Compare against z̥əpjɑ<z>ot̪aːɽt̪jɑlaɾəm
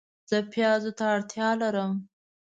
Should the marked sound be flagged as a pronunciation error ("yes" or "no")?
no